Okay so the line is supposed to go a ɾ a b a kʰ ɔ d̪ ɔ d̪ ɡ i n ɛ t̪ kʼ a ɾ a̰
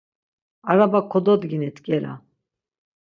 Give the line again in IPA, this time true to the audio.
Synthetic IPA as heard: a ɾ a b a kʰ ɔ d̪ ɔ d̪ ɡ i n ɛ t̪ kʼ ɛ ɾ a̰